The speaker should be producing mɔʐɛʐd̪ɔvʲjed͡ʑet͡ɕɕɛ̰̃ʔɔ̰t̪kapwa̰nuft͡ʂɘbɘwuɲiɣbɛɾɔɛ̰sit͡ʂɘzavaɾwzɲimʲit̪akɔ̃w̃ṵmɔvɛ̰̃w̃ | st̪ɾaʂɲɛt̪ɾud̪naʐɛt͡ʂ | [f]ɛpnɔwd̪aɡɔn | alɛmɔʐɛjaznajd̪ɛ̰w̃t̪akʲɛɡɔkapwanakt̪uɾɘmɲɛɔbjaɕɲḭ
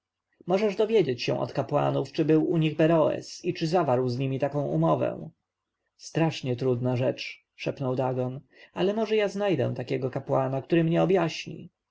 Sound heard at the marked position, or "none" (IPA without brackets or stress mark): ʂ